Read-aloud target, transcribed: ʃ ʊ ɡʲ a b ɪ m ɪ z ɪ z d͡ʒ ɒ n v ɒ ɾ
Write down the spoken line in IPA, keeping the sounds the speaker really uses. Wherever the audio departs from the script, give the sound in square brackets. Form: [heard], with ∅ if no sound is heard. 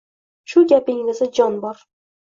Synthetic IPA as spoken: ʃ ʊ ɡʲ a [p] ɪ [ŋ] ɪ z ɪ [∅] d͡ʒ ɒ n [b] ɒ ɾ

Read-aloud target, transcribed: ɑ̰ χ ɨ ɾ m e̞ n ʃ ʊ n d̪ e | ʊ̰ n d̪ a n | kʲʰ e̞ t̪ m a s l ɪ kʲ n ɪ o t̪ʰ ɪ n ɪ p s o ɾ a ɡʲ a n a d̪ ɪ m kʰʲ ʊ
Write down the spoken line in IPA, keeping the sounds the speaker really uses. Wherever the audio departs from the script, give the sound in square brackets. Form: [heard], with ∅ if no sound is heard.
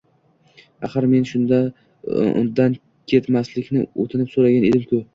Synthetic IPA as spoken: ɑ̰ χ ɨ ɾ m e̞ n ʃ ʊ n d̪ [a] | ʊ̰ n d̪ a n | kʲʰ e̞ t̪ m a s l ɪ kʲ n ɪ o t̪ʰ ɪ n ɪ p s o ɾ a ɡʲ a n [e] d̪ ɪ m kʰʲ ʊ

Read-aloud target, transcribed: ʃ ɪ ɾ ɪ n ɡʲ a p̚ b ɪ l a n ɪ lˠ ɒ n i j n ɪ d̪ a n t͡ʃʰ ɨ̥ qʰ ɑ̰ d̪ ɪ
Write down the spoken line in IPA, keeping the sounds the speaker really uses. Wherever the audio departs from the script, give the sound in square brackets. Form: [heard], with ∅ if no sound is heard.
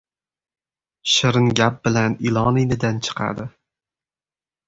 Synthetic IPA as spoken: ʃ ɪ ɾ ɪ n ɡʲ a p̚ b ɪ l a n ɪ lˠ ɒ n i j n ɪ d̪ a n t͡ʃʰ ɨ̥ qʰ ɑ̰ d̪ ɪ

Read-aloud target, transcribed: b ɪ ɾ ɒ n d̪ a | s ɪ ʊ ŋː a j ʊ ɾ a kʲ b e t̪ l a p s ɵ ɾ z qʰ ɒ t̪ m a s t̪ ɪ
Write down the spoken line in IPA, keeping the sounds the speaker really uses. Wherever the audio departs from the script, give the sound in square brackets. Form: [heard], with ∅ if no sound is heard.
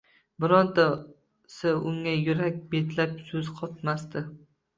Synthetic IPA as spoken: b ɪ ɾ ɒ n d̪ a | s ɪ ʊ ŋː a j ʊ ɾ a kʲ b e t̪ l a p s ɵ [∅] z qʰ ɒ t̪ m a s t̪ ɪ

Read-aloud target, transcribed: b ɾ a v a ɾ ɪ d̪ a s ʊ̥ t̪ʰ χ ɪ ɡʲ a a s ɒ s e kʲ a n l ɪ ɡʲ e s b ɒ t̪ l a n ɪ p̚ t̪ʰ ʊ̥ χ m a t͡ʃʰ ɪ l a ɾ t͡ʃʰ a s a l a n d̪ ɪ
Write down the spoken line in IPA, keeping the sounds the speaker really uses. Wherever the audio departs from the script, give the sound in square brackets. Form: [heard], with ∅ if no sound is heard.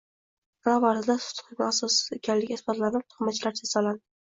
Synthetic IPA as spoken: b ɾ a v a ɾ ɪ d̪ a s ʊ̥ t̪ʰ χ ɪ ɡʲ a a s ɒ s e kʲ a n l ɪ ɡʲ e s b ɒ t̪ l a n ɪ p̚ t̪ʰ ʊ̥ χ m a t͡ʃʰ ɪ l a ɾ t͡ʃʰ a s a l a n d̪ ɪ

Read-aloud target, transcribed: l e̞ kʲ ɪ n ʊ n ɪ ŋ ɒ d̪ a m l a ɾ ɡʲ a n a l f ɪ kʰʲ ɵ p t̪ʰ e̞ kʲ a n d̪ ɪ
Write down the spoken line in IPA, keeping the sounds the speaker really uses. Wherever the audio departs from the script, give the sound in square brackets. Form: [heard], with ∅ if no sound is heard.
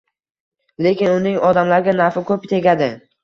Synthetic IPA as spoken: l e̞ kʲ ɪ n ʊ n ɪ ŋ ɒ d̪ a m l a ɾ ɡʲ a n a [ɾ] f ɪ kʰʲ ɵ p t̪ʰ e̞ [ɡʲ] a [∅] d̪ ɪ

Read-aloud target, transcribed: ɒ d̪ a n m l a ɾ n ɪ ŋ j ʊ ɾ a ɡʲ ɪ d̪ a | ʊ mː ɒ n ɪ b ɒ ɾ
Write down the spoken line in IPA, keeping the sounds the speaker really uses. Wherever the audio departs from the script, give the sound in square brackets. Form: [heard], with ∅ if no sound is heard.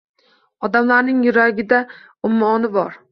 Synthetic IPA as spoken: ɒ d̪ a [∅] m l a ɾ n ɪ ŋ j ʊ ɾ a ɡʲ ɪ d̪ a | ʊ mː ɒ n ɪ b ɒ ɾ

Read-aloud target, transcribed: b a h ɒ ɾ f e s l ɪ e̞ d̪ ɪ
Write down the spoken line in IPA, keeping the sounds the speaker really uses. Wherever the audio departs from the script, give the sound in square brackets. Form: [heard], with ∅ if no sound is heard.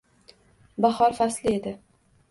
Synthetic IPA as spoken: b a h ɒ ɾ f [a] s l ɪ e̞ d̪ ɪ

